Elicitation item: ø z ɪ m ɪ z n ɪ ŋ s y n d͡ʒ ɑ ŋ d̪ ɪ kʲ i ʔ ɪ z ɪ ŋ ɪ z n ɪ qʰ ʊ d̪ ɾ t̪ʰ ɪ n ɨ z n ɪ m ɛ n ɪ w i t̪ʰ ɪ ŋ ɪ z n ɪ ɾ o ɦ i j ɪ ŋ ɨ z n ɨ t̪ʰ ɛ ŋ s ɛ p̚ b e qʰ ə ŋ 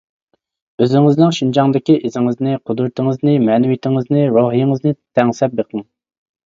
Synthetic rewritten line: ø z ɪ ŋ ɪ z n ɪ ŋ ʃ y n d͡ʒ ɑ ŋ d̪ ɪ kʲ i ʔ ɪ z ɪ ŋ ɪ z n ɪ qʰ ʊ d̪ ɾ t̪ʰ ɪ ŋ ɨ z n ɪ m ɛ n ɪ w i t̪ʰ ɪ ŋ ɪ z n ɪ ɾ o ɦ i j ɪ ŋ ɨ z n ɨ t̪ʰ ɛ ŋ s ɛ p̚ b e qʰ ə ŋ